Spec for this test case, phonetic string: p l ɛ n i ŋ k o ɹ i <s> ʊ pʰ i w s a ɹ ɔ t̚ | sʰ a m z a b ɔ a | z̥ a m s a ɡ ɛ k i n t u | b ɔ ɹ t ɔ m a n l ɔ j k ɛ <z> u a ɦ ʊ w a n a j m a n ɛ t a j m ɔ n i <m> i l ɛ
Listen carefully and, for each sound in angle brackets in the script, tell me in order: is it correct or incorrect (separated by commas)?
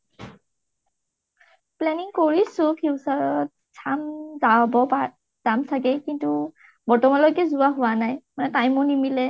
correct, correct, correct